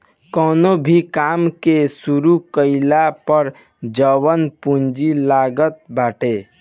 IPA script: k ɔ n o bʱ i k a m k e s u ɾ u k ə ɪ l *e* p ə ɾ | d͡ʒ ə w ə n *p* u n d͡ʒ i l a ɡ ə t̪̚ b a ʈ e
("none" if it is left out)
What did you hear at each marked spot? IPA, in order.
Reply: a, p

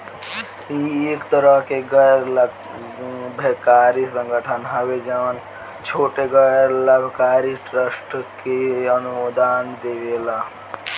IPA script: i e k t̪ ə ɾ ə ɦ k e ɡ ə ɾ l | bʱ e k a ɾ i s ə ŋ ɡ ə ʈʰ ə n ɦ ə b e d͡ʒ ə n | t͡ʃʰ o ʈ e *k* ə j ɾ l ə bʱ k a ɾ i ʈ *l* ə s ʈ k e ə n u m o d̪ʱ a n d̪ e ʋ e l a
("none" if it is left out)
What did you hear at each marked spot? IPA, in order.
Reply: ɡ, ɾ

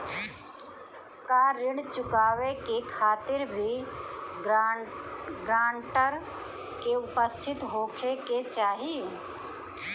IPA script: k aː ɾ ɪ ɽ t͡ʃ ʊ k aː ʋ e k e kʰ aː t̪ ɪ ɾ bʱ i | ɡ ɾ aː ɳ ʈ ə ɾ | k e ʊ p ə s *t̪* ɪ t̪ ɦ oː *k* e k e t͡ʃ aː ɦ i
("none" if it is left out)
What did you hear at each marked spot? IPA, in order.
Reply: t̪ʰ, kʰ

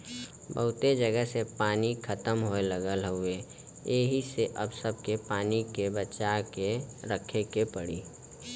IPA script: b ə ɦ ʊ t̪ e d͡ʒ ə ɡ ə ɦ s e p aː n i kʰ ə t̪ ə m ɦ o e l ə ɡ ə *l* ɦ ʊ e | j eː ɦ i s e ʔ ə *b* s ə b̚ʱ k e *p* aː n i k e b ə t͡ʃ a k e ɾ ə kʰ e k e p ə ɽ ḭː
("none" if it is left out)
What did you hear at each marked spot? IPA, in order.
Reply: l, b, p

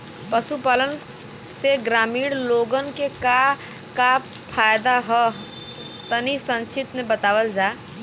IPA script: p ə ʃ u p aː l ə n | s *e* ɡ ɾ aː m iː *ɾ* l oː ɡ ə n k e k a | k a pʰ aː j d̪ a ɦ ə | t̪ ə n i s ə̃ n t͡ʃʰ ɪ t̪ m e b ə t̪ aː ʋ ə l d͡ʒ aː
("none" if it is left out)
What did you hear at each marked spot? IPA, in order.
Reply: e, ɽ

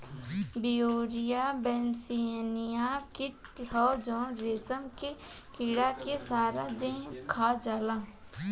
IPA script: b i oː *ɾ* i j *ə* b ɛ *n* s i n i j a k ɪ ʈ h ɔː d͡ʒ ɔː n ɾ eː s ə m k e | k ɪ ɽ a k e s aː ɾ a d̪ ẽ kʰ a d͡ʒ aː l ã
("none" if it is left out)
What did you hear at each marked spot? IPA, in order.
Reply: ɾ, a, n

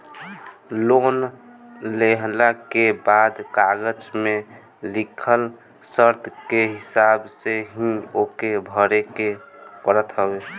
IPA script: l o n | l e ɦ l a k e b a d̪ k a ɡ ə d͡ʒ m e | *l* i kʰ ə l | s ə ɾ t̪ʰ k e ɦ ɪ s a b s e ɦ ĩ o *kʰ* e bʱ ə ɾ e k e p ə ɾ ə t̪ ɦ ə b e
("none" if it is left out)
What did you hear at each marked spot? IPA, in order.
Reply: l, k

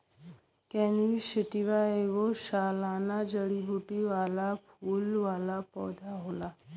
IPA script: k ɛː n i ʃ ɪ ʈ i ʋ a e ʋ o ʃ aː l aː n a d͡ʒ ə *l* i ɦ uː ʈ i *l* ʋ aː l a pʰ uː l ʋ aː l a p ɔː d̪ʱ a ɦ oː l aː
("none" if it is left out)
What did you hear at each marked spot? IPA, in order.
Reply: ɽ, none

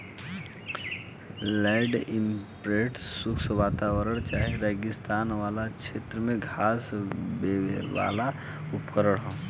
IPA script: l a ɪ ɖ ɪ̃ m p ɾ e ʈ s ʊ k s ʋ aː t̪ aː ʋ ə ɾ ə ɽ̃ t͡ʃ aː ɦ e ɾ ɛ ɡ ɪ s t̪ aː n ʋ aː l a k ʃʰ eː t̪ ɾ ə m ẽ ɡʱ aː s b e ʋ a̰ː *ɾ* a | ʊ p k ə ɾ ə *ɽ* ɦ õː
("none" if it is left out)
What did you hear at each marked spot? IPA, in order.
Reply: l, ɽ

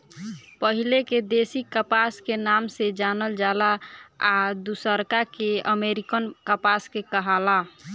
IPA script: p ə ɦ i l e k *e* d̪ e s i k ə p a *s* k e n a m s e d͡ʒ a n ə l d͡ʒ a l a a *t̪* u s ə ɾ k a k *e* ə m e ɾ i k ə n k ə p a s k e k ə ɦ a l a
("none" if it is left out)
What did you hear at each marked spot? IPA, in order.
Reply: e, s, d̪, e

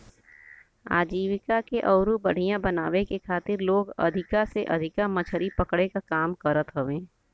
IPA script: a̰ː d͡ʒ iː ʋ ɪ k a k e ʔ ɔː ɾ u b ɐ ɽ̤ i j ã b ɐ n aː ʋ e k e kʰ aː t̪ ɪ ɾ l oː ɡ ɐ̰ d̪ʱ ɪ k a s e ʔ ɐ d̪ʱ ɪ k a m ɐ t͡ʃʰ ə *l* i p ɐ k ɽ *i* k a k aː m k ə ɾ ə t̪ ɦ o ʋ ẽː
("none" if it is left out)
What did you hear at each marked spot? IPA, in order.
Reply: ɾ, e

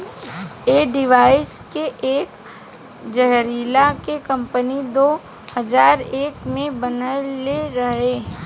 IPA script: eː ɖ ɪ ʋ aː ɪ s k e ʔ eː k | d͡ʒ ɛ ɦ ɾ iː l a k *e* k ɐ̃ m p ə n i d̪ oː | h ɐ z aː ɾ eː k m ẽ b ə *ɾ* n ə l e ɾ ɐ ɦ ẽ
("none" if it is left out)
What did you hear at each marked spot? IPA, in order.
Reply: e, none

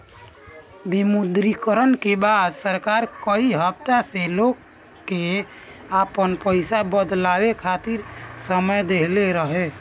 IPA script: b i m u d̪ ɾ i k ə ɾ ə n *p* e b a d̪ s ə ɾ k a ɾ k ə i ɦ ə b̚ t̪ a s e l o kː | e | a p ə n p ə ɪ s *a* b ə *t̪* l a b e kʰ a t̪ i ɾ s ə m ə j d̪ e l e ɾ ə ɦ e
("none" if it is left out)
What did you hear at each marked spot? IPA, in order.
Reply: k, a, d̪

